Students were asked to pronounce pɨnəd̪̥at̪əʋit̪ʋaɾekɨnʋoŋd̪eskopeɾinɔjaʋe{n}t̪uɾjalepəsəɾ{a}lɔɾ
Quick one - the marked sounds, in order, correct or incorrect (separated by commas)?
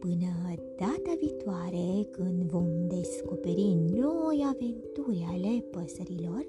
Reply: correct, incorrect